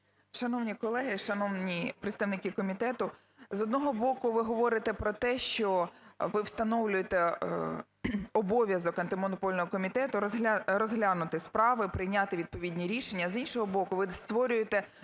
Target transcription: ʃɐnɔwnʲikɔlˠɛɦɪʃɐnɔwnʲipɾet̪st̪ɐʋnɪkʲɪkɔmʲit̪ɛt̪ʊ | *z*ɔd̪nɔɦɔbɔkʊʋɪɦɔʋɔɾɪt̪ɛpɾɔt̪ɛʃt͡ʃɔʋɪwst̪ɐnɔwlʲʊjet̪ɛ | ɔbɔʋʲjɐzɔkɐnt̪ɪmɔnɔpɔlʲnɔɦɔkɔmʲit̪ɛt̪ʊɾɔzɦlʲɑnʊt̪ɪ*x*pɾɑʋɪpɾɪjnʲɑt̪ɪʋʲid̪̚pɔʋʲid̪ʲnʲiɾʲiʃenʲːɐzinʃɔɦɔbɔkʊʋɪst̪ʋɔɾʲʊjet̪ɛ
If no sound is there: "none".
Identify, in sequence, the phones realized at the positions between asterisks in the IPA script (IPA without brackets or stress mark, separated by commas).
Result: z, s